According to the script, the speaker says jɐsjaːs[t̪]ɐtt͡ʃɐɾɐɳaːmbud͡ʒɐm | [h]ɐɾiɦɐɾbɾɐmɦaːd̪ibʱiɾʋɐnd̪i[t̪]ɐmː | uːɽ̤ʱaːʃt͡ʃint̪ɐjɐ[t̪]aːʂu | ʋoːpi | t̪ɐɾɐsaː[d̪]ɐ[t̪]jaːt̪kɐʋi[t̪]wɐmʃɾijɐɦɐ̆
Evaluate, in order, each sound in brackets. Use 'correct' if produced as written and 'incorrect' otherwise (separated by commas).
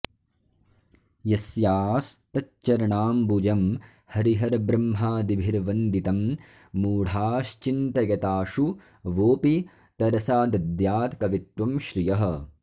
correct, correct, correct, correct, correct, incorrect, correct